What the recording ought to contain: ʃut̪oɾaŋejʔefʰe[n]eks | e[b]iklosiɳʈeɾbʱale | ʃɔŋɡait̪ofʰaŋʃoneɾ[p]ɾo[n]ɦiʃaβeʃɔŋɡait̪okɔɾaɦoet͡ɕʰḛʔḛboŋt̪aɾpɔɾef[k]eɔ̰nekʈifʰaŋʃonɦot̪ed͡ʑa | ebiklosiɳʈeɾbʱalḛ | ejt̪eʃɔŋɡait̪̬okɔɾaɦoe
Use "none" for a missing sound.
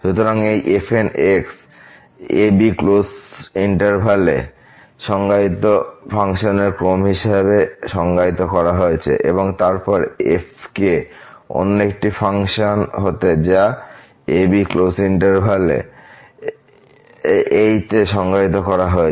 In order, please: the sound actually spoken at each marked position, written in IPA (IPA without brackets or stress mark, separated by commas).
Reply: n, b, k, m, k